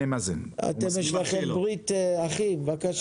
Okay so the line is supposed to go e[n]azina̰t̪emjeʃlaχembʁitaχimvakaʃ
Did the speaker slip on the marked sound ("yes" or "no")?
yes